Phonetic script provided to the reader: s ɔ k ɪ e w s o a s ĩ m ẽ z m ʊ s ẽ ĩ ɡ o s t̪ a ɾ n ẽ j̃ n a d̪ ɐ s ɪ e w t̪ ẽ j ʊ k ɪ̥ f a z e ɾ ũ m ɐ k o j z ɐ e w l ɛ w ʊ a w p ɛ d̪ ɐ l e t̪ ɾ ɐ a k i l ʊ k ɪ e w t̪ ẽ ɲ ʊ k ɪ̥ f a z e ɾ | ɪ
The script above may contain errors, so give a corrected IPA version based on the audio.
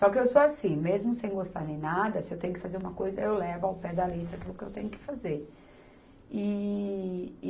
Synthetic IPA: s ɔ k ɪ e w s o a s ĩ m e z m ʊ s ẽ j̃ ɡ o s t̪ a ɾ n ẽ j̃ n a d̪ ɐ s ɪ e w t̪ ẽ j ʊ k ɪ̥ f a z e ɾ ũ m ɐ k o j z ɐ e w l ɛ v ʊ a w p ɛ d̪ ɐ l e t̪ ɾ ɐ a k i l ʊ k ɪ e w t̪ ẽ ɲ ʊ k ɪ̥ f a z e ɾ | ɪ